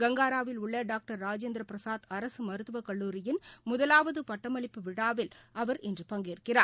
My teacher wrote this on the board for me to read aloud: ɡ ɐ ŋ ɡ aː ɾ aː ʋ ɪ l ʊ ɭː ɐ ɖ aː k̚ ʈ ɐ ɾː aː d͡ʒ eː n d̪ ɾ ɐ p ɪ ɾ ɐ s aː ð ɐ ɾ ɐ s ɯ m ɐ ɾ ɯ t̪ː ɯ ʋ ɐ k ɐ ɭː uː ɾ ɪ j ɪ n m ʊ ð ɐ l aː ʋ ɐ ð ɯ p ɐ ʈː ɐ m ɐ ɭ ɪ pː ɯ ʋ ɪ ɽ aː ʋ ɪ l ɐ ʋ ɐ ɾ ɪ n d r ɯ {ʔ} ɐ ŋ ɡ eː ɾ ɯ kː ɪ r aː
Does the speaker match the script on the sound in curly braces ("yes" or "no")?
no